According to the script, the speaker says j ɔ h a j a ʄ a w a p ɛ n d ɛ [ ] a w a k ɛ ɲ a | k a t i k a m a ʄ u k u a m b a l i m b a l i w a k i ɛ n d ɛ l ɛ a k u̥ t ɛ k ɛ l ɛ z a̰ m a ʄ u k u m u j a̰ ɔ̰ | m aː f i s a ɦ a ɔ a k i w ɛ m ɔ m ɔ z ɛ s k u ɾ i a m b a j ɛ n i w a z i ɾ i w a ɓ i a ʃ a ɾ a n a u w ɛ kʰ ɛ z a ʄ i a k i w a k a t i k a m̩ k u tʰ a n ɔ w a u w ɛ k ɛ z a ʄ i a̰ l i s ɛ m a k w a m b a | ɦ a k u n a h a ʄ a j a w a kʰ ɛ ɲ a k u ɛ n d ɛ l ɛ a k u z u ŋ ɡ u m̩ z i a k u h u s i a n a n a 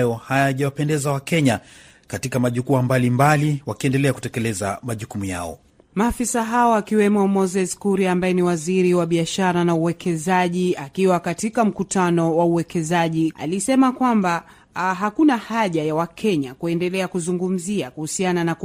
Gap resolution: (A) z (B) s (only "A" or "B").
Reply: A